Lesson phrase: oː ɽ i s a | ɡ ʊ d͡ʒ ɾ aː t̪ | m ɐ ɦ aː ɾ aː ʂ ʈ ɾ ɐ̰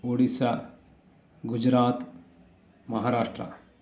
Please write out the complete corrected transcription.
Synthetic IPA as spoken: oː ɽ i s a | ɡ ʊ d͡ʒ ɾ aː t̪ | m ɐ ɦ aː ɾ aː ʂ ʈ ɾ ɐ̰